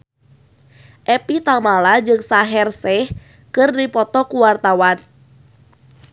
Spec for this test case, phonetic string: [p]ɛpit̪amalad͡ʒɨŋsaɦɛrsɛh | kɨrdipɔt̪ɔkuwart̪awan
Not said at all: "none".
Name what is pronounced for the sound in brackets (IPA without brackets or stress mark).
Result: ʔ